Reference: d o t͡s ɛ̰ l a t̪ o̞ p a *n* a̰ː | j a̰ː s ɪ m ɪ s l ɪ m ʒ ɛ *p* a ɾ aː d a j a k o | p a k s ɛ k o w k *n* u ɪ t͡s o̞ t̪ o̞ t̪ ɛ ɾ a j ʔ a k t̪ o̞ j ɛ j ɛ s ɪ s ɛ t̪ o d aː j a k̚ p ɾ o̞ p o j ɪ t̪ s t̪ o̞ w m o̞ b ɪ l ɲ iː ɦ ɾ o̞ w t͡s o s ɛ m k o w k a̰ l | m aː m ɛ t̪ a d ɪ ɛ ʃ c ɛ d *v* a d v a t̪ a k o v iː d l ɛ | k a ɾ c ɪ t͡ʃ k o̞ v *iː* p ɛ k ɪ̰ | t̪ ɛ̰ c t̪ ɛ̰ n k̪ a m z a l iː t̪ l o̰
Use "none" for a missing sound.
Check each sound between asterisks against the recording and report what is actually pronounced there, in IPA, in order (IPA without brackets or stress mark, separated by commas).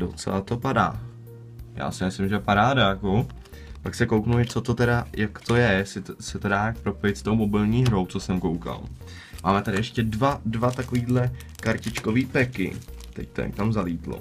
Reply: d, p, n, v, iː